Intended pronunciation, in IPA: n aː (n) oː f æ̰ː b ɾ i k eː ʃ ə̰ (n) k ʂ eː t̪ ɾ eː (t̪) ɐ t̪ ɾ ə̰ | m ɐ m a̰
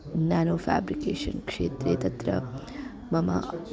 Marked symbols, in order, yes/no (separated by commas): yes, yes, yes